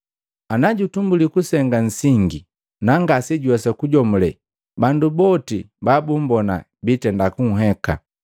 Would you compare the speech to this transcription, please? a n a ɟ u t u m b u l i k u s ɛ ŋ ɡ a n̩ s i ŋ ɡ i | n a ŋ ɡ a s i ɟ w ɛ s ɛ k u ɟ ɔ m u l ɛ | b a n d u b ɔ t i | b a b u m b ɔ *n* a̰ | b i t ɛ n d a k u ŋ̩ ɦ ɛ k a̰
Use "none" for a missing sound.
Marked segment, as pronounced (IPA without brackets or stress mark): n